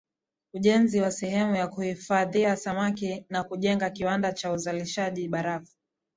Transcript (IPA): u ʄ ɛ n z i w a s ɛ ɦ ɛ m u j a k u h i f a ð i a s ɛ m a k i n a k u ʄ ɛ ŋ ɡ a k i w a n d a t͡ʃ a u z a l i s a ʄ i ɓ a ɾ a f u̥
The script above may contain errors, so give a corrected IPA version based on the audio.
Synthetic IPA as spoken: u ʄ ɛ n z i w a s ɛ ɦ ɛ m u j a k u h i f a ð i a s a m a k i n a k u ʄ ɛ ŋ ɡ a k i w a n d a t͡ʃ a u z a l i ʃ a ʄ i ɓ a ɾ a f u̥